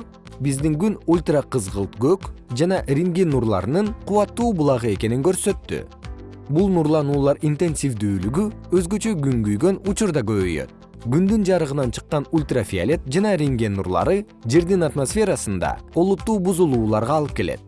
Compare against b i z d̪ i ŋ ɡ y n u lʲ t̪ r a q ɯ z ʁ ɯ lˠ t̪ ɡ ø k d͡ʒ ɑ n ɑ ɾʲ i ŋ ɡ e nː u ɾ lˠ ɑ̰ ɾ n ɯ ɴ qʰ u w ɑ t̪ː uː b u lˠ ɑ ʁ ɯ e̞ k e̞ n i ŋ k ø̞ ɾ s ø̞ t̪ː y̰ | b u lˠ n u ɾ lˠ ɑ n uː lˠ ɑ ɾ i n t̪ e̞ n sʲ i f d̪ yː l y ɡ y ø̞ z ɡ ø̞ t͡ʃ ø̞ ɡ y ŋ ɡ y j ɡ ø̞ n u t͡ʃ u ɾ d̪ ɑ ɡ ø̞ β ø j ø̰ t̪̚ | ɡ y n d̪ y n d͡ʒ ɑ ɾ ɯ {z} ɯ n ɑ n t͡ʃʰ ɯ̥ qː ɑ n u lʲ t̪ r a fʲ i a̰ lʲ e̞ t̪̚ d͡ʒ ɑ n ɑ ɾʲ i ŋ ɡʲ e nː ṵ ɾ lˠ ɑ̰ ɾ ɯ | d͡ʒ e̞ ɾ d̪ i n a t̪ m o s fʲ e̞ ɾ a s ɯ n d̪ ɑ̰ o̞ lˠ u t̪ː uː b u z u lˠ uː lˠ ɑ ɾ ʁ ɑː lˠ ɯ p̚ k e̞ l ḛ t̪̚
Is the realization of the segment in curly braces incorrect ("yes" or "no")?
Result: yes